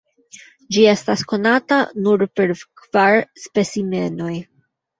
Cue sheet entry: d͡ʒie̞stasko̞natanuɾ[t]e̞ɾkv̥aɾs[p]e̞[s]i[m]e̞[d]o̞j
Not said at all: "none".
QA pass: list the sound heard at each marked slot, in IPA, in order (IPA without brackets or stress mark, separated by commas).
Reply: p, p, s, m, n